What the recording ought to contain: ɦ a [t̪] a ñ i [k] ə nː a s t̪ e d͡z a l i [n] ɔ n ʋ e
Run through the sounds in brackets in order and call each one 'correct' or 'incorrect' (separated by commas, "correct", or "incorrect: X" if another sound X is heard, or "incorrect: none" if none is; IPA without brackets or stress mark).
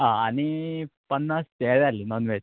incorrect: none, incorrect: p, correct